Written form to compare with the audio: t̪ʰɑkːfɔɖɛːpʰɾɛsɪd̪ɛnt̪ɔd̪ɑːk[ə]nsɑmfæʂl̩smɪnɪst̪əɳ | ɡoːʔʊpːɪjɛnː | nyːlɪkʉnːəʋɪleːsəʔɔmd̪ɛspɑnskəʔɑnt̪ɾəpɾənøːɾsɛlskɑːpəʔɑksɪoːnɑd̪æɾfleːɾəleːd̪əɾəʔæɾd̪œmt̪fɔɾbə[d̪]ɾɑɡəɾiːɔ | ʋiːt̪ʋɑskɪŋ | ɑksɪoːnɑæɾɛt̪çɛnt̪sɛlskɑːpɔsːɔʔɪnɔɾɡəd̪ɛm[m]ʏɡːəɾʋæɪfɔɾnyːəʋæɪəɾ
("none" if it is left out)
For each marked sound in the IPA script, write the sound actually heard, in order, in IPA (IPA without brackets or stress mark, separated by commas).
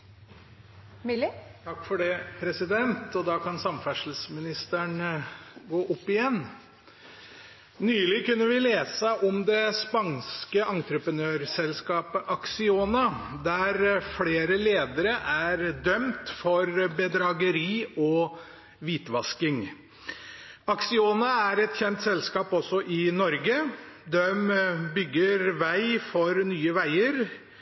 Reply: ɑ, d̪, b